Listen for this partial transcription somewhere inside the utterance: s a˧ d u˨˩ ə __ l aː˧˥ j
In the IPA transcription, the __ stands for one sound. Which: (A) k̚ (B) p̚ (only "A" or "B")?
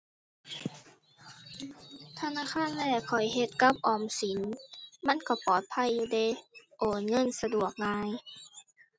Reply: A